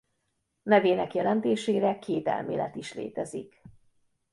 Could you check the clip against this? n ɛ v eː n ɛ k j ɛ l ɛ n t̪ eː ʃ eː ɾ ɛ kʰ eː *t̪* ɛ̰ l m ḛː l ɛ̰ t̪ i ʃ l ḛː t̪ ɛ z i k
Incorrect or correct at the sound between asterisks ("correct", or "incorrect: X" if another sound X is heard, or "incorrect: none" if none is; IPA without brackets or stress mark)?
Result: correct